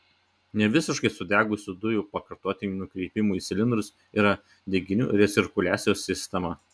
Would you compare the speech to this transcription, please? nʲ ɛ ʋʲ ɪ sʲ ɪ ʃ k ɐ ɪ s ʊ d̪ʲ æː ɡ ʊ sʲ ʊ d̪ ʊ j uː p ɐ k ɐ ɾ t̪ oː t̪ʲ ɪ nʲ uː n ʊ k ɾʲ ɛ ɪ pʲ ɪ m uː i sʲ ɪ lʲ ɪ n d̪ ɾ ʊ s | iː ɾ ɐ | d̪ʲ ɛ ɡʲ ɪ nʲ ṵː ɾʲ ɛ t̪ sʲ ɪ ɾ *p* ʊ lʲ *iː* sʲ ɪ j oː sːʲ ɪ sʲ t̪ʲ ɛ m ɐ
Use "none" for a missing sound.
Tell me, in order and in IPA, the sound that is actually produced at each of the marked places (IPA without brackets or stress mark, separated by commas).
k, æː